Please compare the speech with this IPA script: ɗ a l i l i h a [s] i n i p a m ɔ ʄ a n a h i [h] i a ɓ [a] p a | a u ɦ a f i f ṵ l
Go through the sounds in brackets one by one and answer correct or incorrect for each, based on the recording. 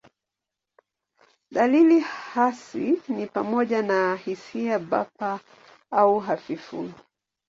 correct, incorrect, correct

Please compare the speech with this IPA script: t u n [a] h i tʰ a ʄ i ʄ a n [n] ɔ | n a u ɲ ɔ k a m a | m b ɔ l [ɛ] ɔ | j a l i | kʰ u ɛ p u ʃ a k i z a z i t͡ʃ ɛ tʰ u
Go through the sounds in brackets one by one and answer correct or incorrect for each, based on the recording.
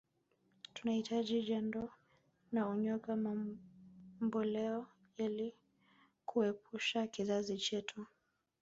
correct, incorrect, correct

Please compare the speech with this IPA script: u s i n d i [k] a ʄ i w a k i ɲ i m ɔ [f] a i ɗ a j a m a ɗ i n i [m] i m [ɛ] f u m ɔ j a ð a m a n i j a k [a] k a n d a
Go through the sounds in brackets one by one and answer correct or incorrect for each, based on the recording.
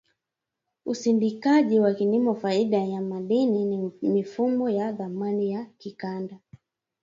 correct, correct, incorrect, incorrect, incorrect

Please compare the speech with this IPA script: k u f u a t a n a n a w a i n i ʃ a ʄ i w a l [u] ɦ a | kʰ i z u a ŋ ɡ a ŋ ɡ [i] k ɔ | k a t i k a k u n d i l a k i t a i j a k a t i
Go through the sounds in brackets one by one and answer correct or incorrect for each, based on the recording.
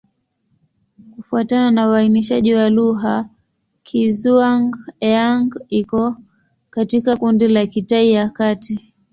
correct, correct

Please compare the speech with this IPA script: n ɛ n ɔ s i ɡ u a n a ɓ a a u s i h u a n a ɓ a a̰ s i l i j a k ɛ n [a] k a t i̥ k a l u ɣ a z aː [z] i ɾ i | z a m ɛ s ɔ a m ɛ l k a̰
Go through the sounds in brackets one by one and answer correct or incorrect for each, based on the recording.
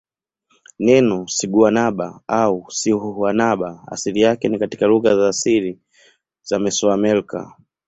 incorrect, incorrect

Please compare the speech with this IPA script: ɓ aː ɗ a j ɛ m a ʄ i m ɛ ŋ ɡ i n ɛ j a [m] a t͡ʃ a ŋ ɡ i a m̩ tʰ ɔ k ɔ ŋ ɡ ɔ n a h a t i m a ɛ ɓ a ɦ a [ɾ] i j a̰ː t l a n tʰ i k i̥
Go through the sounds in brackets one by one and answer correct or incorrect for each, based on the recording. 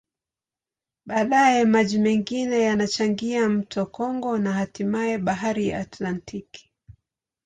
incorrect, correct

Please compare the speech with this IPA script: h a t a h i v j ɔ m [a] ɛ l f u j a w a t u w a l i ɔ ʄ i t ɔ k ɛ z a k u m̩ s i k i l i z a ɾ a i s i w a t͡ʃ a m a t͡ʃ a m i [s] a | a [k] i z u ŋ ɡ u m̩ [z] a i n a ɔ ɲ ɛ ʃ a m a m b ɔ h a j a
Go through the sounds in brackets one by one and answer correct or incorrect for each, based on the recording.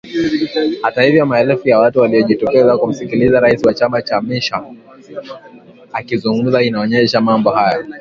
correct, incorrect, correct, correct

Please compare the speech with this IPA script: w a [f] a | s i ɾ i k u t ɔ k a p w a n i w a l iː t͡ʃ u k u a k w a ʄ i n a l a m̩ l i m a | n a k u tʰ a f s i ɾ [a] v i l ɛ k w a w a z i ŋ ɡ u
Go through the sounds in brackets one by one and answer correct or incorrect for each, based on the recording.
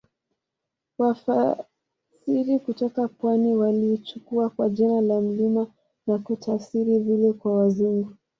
correct, incorrect

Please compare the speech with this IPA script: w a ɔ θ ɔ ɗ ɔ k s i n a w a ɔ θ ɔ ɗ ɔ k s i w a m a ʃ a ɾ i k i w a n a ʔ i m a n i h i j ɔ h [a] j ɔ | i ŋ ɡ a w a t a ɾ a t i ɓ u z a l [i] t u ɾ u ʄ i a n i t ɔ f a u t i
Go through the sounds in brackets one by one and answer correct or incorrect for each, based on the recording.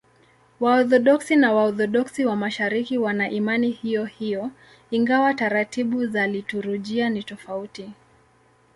incorrect, correct

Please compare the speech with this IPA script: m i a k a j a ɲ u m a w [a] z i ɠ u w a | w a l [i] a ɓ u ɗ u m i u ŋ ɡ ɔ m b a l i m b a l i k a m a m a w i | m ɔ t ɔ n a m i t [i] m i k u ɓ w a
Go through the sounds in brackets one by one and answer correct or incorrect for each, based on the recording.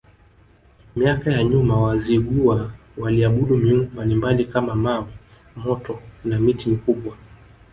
correct, correct, correct

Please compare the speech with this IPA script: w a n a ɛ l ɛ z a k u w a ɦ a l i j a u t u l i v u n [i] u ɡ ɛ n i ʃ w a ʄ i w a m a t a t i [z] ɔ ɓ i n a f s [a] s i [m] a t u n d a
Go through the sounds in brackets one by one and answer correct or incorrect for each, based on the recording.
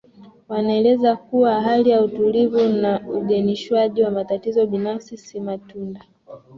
incorrect, correct, incorrect, correct

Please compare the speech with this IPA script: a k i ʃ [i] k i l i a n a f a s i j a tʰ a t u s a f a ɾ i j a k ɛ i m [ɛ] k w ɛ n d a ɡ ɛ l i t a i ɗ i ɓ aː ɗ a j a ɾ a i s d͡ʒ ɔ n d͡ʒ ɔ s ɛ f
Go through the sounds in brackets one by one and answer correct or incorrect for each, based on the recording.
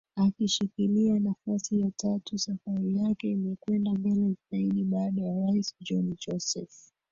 correct, correct

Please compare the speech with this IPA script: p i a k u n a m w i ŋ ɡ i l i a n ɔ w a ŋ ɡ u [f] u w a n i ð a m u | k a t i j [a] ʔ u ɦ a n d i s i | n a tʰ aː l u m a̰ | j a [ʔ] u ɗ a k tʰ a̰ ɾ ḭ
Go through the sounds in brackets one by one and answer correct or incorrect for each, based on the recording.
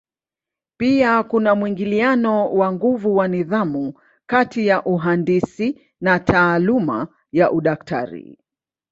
incorrect, correct, correct

